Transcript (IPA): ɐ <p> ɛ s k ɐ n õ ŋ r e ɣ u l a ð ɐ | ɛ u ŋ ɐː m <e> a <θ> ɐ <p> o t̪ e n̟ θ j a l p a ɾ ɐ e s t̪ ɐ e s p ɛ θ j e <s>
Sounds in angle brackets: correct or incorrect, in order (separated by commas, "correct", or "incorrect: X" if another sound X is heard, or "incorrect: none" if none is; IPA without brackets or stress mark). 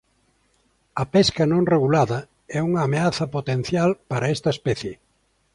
correct, correct, correct, correct, incorrect: none